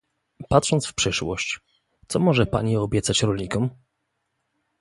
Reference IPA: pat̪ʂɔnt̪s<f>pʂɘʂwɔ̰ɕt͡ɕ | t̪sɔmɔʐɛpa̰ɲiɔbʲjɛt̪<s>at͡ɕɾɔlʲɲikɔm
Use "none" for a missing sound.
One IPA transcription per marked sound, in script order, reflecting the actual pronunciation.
f, s

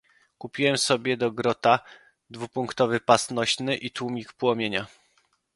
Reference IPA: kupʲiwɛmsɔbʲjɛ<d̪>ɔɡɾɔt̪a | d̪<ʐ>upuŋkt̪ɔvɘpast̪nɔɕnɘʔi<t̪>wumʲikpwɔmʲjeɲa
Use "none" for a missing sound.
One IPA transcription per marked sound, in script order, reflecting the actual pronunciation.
d̪, v, t̪

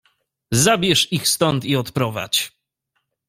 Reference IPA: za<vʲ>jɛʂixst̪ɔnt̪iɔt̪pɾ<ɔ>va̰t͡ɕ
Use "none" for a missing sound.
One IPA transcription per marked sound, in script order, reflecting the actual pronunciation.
bʲ, ɔ

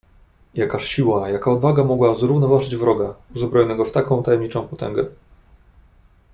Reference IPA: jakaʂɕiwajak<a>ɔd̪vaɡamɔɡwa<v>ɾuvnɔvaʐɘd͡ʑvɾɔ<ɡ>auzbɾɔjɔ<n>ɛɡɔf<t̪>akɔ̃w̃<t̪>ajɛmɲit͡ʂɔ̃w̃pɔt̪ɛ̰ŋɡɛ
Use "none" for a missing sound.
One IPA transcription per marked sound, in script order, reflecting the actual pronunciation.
a, z, ɡ, n, t̪, t̪

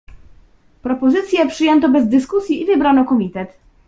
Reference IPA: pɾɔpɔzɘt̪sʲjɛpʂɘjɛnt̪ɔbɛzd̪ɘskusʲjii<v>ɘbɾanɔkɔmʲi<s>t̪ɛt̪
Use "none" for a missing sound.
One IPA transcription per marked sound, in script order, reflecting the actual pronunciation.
v, none

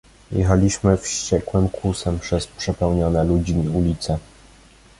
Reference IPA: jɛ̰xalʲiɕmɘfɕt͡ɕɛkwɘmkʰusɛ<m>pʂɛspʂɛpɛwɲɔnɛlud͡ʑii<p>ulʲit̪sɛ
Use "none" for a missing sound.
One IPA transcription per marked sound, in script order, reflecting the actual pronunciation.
m, none

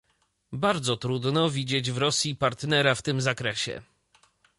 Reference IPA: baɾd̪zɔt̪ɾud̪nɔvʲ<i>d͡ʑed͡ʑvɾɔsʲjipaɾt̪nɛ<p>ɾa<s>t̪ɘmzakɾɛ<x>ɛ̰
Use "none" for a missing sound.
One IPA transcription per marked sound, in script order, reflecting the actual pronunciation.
i, none, f, ɕ

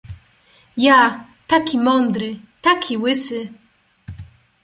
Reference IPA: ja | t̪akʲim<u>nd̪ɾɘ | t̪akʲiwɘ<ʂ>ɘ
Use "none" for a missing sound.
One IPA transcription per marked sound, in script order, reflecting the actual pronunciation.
ɔ, s

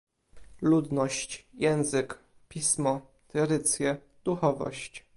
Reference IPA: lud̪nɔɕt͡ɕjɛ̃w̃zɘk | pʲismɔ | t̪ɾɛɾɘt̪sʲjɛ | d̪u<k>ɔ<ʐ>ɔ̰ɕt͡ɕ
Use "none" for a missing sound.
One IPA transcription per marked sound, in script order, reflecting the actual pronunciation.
x, v

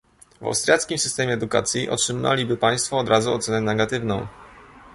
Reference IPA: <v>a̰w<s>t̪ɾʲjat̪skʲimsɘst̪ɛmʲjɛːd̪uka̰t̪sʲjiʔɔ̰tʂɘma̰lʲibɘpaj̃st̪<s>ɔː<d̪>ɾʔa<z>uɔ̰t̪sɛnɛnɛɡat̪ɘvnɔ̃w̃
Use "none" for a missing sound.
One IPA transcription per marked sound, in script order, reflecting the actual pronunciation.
v, s, f, d̪, z

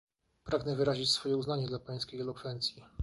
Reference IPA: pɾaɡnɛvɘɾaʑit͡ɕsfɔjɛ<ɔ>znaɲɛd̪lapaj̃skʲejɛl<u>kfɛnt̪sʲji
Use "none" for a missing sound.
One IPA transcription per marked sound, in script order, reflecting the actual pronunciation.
u, ɔ

